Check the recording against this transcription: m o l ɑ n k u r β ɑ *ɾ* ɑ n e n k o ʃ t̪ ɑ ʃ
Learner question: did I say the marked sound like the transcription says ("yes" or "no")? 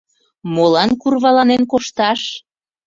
no